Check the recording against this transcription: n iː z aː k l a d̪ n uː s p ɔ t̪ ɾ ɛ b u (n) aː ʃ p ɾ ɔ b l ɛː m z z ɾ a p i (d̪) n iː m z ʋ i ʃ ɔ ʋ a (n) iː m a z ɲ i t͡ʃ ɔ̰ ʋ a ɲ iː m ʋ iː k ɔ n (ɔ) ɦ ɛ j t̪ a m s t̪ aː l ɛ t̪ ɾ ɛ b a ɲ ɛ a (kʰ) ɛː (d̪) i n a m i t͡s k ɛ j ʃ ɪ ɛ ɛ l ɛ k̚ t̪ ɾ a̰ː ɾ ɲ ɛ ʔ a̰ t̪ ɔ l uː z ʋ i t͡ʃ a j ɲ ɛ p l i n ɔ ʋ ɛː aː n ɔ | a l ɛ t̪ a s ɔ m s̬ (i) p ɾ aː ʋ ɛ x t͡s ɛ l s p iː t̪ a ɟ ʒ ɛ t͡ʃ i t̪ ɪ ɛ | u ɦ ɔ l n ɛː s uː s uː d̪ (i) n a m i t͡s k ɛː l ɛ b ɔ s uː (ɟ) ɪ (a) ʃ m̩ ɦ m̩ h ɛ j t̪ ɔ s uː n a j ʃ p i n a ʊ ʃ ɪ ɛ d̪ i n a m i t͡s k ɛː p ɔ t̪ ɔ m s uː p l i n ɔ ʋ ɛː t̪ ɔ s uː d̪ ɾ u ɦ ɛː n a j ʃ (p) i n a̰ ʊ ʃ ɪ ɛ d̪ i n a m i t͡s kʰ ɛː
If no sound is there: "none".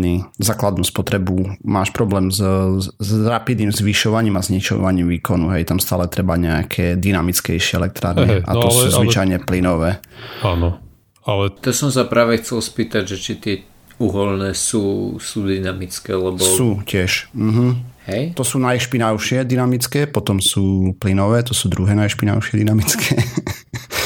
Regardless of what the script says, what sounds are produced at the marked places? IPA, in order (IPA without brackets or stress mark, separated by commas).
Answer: m, d̪, ɲ, u, kʰ, d̪, a, i, c, ɛ, p